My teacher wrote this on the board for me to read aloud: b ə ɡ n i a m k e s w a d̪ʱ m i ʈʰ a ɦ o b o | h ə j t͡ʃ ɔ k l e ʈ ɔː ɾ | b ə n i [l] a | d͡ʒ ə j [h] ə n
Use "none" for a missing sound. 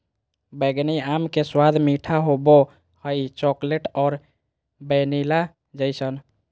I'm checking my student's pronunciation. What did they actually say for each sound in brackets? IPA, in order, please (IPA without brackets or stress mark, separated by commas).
l, s